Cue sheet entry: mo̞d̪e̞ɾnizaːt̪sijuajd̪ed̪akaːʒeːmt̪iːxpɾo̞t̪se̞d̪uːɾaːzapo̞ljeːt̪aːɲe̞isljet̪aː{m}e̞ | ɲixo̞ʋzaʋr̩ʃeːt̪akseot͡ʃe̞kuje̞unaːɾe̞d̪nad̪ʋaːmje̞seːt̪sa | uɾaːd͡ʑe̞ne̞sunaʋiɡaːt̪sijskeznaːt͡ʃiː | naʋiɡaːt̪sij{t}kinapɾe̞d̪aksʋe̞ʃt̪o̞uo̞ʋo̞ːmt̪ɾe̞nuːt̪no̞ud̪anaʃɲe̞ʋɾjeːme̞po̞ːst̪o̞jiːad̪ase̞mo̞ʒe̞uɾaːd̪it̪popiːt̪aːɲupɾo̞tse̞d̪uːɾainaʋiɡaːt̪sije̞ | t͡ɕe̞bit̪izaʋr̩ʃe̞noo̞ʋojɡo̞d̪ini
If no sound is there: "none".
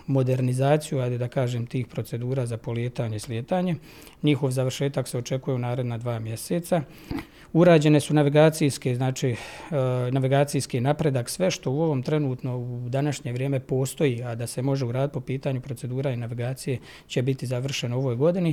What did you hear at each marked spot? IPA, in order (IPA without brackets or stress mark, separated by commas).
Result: ɲ, s